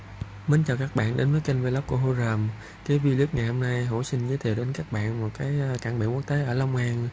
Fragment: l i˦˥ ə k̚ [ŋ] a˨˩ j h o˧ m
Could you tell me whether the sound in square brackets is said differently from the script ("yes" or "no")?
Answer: no